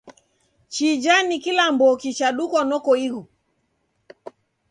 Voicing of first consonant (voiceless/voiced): voiceless